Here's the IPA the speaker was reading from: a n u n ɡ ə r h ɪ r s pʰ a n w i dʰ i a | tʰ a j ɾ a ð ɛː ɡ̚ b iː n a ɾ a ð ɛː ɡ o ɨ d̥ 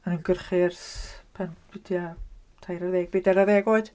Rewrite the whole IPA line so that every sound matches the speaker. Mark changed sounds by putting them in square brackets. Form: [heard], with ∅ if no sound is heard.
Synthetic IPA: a n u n ɡ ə r [χ] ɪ r s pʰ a n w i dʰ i a | tʰ a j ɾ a ð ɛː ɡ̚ b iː [d] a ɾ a ð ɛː ɡ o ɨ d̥